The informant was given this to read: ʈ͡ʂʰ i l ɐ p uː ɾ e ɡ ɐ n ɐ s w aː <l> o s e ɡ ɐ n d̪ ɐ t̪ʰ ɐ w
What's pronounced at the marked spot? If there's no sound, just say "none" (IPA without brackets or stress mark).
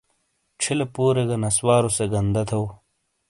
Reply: ɾ